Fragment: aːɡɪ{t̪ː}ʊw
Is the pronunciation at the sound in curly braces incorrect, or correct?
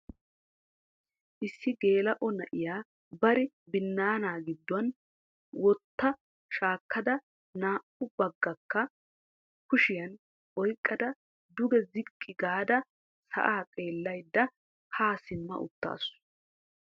incorrect